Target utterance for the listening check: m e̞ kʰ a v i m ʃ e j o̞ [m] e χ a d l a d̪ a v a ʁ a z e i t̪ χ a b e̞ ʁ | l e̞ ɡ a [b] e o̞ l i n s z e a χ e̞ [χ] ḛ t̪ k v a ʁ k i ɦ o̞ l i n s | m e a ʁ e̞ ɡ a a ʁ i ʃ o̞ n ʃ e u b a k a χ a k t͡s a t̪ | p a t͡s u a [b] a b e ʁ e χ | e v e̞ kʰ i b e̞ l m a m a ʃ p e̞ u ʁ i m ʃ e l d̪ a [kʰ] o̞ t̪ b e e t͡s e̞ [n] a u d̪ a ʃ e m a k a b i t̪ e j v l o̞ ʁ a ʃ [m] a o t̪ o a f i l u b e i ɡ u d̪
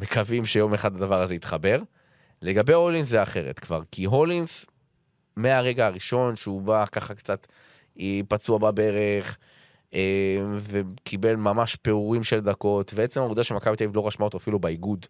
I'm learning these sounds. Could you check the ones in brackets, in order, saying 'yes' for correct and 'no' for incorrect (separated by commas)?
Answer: yes, yes, no, yes, no, no, yes